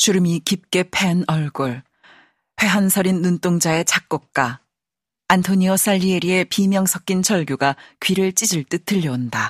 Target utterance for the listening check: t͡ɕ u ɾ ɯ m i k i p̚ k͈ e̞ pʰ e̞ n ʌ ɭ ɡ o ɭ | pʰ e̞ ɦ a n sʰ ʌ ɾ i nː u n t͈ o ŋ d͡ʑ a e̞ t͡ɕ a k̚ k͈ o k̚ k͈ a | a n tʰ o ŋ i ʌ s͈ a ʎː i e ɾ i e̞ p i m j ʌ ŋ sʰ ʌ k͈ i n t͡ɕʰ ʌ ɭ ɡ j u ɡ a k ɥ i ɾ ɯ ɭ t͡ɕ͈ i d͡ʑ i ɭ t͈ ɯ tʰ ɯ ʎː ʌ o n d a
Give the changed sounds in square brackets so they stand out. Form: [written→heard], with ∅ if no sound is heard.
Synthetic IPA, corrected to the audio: t͡ɕ u ɾ ɯ m i k i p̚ k͈ e̞ pʰ e̞ n ʌ ɭ ɡ o ɭ | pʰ e̞ ɦ a n sʰ ʌ ɾ i nː u n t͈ o ŋ d͡ʑ a e̞ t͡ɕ a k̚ k͈ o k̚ k͈ a | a n tʰ o [ŋ→ɲ] i ʌ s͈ a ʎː i e ɾ i e̞ p i m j ʌ ŋ sʰ ʌ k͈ i n t͡ɕʰ ʌ ɭ ɡ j u ɡ a k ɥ i ɾ ɯ ɭ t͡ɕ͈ i d͡ʑ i ɭ t͈ ɯ tʰ ɯ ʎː ʌ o n d a